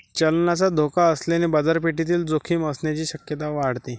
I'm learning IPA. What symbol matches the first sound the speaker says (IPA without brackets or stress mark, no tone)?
t͡ɕ